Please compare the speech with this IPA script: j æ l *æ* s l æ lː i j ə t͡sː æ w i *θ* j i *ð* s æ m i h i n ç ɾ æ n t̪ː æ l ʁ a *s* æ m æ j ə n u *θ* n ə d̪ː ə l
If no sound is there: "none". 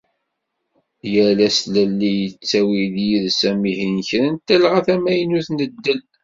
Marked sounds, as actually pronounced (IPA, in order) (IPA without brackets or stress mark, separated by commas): æ, ð, ð, θ, θ